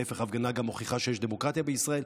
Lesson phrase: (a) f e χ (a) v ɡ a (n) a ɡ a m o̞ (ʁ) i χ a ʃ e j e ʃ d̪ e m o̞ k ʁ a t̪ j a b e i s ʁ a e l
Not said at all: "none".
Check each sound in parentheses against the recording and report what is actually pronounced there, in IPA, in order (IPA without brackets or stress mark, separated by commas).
e, a, n, χ